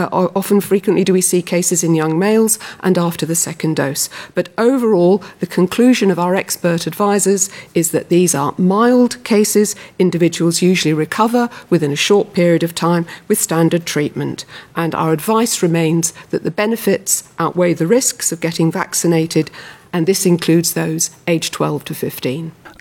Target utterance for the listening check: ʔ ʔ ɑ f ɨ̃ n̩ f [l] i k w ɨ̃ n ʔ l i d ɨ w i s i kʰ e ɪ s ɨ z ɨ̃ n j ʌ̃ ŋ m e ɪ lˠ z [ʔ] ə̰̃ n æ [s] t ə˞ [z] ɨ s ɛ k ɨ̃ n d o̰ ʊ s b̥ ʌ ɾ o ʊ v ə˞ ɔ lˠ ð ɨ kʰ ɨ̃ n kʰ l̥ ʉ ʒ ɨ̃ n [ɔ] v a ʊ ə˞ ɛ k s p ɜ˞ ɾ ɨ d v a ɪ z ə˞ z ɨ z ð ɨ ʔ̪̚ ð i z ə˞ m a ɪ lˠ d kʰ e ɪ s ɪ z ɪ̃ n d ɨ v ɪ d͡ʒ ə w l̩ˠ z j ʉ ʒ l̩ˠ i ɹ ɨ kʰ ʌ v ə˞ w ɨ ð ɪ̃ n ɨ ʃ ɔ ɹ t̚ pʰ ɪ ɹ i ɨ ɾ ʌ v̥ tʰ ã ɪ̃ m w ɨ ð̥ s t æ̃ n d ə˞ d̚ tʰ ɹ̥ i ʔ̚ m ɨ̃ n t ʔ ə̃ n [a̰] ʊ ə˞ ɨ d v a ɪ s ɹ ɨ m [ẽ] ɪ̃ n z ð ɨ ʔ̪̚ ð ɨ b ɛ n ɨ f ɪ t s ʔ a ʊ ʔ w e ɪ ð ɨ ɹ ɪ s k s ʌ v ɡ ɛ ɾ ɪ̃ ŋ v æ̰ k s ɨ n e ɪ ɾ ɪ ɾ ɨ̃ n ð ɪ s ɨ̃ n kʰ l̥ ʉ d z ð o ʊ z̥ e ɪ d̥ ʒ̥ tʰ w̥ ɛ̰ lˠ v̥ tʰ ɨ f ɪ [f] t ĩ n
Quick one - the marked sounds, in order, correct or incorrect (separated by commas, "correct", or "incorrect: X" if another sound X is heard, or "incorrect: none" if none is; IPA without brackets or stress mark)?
incorrect: ɹ, correct, incorrect: f, incorrect: ð, incorrect: ʌ, correct, correct, correct